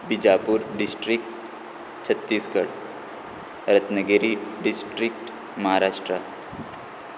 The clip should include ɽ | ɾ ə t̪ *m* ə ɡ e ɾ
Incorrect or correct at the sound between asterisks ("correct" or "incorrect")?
incorrect